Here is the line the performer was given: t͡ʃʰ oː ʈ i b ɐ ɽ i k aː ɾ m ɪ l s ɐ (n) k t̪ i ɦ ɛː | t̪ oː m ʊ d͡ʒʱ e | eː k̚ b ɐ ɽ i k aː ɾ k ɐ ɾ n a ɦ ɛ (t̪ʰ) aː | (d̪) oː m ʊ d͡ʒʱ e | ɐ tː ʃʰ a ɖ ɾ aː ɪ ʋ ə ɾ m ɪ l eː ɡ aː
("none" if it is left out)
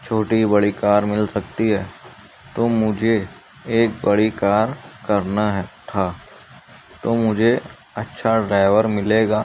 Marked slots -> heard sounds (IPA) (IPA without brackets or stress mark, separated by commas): none, t̪ʰ, t̪